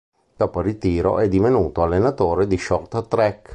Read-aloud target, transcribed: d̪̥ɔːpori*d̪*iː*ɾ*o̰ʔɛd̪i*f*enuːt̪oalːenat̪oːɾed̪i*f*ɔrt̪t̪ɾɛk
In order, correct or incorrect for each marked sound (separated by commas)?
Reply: incorrect, correct, incorrect, incorrect